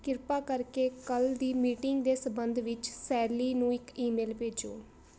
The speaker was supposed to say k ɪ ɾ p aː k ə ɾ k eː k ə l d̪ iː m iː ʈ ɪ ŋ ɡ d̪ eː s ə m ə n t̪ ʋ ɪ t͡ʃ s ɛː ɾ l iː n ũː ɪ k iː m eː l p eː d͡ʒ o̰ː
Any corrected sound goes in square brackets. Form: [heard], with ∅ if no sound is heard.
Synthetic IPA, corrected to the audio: k ɪ ɾ p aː k ə ɾ k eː k ə l d̪ iː m iː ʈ ɪ ŋ ɡ d̪ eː s ə [b] ə n [d̪] ʋ ɪ t͡ʃ s ɛː ɾ l iː n ũː ɪ k iː m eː l p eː d͡ʒ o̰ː